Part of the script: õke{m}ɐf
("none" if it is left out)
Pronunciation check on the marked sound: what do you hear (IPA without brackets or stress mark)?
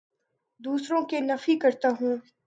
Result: n